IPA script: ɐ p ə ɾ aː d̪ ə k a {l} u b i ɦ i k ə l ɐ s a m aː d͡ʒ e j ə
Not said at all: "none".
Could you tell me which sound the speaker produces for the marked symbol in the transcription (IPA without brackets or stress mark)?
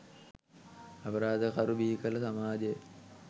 ɾ